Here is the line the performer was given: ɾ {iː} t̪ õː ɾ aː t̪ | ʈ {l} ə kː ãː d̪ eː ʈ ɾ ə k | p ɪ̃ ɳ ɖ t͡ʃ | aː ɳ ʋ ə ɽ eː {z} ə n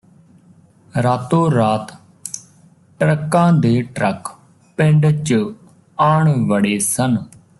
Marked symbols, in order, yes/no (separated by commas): no, no, no